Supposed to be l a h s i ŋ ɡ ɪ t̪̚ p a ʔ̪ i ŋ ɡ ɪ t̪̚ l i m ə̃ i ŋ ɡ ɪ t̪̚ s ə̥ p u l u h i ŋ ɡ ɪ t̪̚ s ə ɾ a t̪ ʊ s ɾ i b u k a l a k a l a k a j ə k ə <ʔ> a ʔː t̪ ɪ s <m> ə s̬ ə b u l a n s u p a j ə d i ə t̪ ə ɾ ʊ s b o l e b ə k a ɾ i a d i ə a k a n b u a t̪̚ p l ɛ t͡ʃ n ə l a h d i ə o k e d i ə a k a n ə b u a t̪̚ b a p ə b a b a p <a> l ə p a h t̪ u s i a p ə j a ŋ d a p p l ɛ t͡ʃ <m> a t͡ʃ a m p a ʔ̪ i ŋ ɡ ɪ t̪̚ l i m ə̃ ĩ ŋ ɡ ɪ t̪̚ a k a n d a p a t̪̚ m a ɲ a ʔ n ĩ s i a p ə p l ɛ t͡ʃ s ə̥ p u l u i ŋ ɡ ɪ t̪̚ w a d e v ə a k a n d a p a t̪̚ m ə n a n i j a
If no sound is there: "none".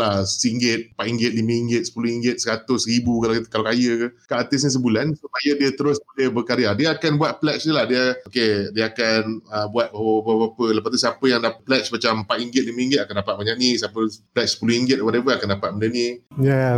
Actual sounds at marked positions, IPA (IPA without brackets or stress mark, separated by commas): k, ɲ, ə, m